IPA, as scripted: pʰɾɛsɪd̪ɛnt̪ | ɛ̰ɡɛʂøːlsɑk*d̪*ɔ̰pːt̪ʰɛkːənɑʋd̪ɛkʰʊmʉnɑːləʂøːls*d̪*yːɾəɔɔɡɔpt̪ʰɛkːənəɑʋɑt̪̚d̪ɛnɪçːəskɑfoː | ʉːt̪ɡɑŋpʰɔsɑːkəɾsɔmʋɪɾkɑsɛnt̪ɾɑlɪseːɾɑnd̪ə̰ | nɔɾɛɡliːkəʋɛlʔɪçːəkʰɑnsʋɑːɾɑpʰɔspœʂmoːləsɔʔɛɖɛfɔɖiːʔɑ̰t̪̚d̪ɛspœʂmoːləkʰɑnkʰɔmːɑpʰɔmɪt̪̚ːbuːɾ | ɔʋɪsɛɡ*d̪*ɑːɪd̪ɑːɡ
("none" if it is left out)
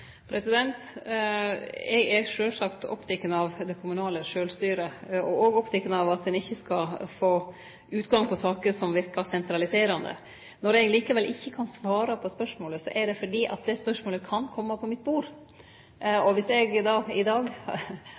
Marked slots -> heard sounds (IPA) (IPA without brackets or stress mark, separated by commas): t̪, t̪, d̪